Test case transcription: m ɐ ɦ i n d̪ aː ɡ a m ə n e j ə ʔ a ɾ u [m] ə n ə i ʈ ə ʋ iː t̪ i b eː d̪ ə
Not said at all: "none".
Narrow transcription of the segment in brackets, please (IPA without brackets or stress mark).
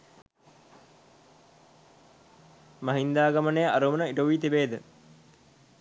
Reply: m